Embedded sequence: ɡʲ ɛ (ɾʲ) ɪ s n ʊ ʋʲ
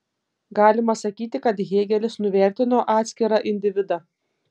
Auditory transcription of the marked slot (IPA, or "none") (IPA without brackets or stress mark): lʲ